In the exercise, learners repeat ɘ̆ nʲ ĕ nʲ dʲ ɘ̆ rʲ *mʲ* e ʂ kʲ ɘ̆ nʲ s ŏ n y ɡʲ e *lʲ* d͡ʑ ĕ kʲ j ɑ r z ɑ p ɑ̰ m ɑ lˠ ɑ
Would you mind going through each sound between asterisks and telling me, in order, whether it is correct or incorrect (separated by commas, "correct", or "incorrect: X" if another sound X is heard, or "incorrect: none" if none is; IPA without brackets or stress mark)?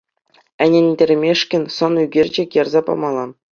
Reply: correct, incorrect: rʲ